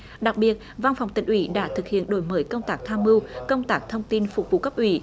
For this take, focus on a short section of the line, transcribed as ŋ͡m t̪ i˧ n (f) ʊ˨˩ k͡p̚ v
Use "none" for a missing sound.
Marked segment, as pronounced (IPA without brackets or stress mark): f